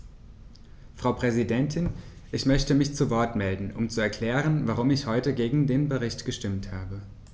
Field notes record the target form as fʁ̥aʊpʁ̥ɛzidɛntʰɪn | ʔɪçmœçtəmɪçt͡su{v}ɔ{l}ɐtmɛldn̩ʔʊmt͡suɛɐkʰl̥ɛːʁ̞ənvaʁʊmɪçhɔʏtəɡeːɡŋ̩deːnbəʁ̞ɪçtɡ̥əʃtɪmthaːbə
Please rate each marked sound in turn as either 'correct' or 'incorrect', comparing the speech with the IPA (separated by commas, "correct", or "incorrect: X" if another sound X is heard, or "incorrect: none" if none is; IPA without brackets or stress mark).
correct, incorrect: none